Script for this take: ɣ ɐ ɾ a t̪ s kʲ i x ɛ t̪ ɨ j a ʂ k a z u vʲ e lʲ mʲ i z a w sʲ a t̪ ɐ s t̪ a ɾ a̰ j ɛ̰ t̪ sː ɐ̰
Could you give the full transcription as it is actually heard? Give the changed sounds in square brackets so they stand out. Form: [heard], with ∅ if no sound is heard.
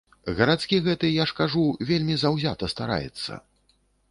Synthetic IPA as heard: ɣ ɐ ɾ a t̪ s kʲ i [ɣ] ɛ t̪ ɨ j a ʂ k a [ʐ] u vʲ e lʲ mʲ i z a w [zʲ] a t̪ ɐ s t̪ a ɾ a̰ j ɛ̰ t̪ sː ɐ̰